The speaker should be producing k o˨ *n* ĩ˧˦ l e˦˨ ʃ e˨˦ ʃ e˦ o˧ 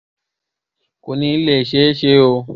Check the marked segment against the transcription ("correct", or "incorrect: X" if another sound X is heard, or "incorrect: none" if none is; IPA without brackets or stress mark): correct